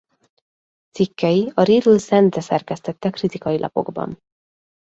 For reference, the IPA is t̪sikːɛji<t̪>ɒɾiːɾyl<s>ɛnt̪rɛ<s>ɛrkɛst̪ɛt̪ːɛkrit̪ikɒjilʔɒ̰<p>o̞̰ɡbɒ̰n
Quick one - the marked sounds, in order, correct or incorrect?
incorrect, correct, correct, correct

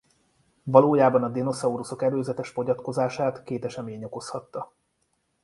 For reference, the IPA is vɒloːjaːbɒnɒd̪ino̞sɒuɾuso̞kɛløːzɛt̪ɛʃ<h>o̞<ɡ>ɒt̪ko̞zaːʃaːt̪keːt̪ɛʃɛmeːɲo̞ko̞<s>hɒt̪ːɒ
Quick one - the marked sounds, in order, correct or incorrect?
incorrect, incorrect, correct

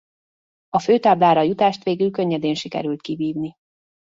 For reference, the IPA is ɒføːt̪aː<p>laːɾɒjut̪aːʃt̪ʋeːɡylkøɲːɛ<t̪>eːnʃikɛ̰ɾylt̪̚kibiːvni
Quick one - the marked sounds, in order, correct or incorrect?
incorrect, incorrect

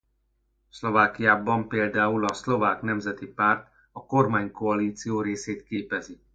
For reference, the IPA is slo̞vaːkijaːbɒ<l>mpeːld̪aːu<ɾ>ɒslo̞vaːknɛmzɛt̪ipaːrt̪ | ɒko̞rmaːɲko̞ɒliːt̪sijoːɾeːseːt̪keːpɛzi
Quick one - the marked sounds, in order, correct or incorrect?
incorrect, incorrect

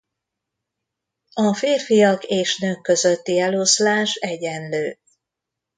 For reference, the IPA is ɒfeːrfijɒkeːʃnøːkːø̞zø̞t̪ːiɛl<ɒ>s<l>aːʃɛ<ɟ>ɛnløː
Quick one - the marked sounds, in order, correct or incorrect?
incorrect, correct, correct

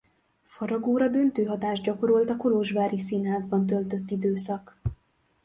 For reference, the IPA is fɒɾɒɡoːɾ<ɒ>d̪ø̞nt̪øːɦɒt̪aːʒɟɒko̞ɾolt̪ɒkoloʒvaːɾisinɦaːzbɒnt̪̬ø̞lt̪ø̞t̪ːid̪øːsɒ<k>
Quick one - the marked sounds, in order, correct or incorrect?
correct, correct

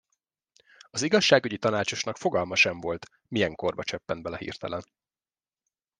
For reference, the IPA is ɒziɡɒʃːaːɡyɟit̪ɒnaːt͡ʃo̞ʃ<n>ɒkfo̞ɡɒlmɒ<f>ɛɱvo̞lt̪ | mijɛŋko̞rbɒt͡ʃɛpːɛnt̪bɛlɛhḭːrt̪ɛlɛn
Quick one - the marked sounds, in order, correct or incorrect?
correct, incorrect

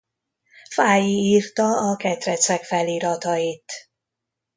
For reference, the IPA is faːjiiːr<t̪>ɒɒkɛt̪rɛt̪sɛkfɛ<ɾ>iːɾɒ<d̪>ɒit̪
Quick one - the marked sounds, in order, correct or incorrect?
correct, incorrect, incorrect

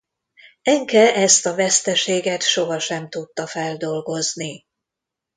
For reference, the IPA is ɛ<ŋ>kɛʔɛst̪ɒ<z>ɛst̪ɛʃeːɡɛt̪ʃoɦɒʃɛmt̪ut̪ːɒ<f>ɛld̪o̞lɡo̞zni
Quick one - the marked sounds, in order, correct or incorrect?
correct, incorrect, correct

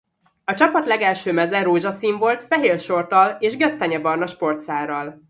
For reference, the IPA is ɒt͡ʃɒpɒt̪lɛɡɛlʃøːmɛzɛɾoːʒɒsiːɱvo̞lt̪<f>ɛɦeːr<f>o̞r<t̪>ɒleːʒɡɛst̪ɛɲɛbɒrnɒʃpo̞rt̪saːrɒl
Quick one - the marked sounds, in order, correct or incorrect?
correct, incorrect, correct

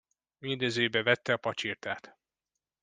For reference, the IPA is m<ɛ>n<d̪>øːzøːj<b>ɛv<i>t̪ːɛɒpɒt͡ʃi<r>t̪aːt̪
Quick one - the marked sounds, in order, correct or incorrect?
incorrect, correct, correct, incorrect, correct

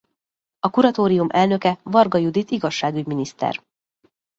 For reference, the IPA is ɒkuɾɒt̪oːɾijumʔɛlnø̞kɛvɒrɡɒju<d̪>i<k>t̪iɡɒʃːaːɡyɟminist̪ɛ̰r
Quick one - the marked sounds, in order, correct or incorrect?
correct, incorrect

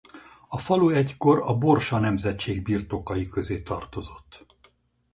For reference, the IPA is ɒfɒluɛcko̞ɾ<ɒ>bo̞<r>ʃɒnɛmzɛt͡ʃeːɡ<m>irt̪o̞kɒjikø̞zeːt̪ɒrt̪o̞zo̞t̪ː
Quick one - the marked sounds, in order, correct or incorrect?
correct, correct, incorrect

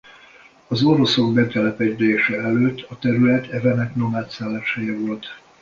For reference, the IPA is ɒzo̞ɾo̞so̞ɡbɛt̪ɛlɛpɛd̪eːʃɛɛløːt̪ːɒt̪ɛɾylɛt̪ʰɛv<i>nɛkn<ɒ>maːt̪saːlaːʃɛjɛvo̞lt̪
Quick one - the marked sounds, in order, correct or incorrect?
incorrect, incorrect

